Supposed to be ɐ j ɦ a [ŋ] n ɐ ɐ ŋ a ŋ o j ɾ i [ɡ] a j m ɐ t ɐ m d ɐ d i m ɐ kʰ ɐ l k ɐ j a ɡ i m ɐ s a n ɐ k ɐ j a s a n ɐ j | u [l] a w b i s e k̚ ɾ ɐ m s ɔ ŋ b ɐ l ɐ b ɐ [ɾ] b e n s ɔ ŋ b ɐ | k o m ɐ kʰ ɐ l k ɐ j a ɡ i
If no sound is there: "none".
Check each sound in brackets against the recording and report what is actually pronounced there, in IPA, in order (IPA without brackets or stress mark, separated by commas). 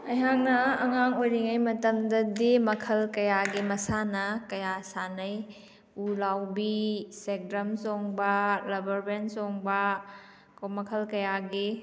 ŋ, ŋ, l, ɾ